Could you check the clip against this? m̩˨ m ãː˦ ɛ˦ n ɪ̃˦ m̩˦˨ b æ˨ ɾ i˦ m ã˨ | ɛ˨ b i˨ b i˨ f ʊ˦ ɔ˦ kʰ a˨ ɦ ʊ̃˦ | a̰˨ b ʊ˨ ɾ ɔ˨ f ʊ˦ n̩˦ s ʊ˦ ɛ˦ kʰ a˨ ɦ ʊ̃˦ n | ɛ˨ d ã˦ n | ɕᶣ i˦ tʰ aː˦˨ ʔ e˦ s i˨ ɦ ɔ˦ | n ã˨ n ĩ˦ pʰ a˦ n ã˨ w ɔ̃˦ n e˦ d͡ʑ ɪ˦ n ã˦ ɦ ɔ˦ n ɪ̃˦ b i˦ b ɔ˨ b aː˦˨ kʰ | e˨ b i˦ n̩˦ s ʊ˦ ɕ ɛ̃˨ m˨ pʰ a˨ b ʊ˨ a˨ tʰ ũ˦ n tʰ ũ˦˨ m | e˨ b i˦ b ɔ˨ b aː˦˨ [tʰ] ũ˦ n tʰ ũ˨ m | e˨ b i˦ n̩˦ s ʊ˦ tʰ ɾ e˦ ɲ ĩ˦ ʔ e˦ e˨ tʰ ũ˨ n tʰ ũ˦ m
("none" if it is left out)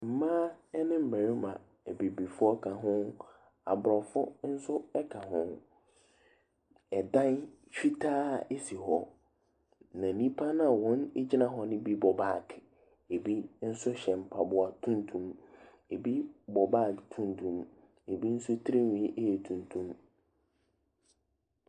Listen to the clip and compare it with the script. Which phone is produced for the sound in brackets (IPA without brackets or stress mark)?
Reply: tʰ